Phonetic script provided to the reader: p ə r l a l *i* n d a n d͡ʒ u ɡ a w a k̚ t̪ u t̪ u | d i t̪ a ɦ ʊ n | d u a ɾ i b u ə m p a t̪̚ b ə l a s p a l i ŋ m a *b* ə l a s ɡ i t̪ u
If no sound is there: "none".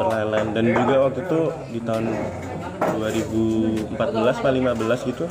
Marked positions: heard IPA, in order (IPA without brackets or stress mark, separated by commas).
a, b